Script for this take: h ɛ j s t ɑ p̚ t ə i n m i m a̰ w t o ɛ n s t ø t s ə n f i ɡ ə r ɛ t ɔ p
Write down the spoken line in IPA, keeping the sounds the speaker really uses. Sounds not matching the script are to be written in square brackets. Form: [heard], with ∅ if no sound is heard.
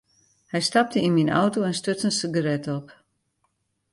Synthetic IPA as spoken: h ɛ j s t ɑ p̚ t ə i n m i [n] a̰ w t o ɛ n s t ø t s ə n [s] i ɡ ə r ɛ t ɔ p